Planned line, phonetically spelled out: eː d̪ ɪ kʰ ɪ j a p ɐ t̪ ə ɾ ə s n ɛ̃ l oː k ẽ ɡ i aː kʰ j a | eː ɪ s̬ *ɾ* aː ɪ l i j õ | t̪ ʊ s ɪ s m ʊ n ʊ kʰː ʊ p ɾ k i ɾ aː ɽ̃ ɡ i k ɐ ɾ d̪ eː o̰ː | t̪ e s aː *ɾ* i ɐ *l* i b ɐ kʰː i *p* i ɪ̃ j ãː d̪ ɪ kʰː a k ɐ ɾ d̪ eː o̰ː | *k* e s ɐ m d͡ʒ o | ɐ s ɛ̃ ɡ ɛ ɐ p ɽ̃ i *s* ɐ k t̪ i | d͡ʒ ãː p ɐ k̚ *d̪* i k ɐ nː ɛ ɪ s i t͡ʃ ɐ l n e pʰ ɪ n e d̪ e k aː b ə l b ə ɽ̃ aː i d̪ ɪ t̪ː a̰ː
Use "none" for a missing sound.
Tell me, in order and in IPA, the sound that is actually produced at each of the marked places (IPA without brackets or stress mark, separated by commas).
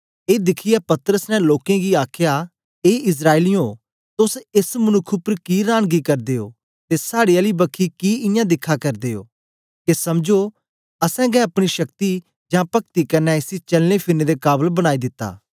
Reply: ɾ, ɽ, l, k, k, ʃ, t̪